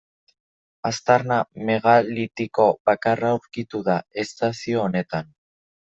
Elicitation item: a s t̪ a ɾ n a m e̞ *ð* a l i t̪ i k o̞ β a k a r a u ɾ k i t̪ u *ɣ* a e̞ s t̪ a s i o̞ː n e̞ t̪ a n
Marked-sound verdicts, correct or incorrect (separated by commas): incorrect, incorrect